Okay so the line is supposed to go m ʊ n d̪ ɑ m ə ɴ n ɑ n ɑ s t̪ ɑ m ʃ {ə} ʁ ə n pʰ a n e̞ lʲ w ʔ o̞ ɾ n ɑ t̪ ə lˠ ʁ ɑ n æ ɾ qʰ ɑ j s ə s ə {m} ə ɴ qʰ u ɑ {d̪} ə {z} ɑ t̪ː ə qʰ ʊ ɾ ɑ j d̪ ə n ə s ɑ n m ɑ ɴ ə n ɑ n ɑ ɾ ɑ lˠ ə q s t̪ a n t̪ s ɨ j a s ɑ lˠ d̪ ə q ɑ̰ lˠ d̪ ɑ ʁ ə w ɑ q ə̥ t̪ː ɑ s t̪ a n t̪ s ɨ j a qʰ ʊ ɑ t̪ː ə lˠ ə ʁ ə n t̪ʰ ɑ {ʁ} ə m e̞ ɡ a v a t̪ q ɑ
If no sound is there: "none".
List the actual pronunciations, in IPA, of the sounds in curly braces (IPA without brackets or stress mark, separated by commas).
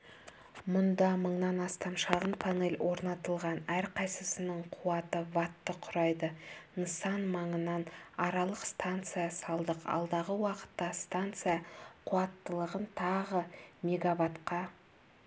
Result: ɑ, n, t̪, v, ʁ